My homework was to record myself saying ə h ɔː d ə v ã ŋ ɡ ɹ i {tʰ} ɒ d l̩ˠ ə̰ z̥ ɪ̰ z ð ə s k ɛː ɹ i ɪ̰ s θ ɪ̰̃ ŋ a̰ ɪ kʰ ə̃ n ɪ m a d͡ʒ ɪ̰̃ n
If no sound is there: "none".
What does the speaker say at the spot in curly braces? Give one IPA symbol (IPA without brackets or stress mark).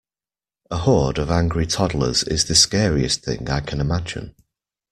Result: tʰ